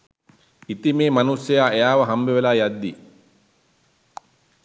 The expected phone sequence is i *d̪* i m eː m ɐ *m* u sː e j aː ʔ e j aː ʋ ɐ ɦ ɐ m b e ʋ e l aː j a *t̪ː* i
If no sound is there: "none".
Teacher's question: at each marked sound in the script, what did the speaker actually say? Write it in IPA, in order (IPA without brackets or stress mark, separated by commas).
t̪, n, d̪ː